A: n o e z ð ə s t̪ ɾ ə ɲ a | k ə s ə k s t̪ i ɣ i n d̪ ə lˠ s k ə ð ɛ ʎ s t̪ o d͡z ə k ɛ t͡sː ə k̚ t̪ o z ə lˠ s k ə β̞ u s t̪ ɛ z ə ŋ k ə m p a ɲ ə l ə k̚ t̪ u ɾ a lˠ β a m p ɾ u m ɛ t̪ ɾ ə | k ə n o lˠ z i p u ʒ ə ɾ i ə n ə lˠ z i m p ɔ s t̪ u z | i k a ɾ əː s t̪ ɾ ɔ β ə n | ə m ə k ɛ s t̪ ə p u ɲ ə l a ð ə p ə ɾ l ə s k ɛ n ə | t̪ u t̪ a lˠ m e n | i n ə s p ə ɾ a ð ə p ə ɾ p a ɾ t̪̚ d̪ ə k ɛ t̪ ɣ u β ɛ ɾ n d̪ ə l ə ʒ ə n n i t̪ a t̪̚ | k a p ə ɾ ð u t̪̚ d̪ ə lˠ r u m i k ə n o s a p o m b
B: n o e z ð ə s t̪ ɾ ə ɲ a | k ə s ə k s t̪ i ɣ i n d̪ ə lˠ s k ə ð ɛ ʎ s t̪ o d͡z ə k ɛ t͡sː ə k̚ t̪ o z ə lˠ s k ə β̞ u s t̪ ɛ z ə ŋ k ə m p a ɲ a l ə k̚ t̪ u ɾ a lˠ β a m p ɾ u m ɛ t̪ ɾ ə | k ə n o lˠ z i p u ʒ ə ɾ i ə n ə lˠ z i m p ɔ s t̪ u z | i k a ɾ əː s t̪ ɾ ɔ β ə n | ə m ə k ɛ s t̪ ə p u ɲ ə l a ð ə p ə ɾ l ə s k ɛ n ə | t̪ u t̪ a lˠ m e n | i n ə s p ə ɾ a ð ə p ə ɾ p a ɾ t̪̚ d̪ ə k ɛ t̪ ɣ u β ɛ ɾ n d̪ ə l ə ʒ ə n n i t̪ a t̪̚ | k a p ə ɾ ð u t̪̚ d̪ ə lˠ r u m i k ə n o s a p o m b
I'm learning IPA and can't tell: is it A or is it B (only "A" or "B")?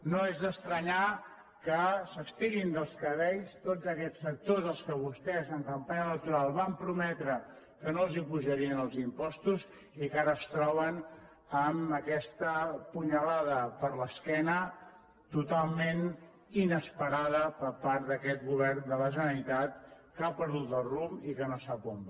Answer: A